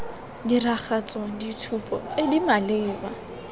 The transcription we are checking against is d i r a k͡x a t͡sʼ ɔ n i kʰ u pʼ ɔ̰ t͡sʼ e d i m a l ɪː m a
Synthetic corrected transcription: d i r a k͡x a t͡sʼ ɔ d i tʰ u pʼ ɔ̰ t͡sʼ e d i m a l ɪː b a

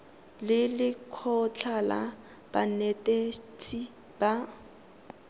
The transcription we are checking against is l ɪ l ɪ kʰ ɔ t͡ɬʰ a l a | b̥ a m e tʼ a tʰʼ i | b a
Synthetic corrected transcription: l ɪ l ɪ kʰ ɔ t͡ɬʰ a l a | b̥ a n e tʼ e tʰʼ i | b a

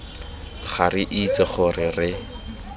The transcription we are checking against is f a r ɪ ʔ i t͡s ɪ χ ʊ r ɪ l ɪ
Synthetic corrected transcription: χ a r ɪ ʔ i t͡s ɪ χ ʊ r ɪ r ɪ

